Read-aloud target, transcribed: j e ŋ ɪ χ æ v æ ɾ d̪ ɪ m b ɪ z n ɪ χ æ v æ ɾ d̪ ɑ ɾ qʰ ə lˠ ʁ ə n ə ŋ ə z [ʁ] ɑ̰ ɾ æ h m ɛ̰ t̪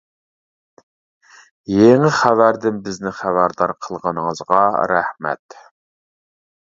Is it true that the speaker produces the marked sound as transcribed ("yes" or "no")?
yes